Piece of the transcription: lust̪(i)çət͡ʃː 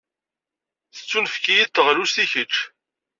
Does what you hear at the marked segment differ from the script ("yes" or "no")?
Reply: no